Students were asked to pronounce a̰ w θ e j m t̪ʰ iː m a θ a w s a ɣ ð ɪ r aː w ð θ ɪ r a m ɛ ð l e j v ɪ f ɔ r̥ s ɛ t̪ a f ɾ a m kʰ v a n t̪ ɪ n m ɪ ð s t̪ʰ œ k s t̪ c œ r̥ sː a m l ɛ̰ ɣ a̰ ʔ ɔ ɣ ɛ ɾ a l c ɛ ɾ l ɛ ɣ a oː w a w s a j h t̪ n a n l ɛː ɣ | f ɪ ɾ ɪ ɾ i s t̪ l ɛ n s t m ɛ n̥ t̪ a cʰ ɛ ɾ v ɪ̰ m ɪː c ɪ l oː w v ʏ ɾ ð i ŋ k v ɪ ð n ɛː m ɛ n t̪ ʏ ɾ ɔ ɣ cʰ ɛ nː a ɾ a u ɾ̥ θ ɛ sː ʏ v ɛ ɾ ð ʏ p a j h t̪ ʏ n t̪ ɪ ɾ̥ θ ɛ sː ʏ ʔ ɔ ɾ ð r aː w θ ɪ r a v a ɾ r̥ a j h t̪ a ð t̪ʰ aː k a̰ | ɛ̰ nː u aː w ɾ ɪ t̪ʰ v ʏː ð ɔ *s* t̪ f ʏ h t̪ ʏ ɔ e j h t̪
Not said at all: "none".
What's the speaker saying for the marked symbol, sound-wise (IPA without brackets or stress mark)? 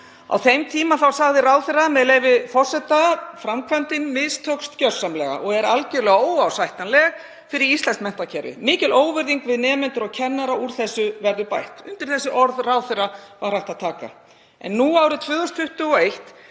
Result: s